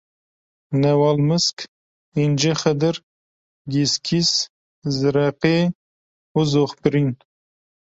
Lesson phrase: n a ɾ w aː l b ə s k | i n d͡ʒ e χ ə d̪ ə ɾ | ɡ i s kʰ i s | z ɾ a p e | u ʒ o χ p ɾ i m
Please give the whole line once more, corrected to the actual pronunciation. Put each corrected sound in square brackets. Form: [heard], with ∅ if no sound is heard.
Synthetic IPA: n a [∅] w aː l [m] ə s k | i n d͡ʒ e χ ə d̪ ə ɾ | ɡ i s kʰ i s | z ɾ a [q] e | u [z] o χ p ɾ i [n]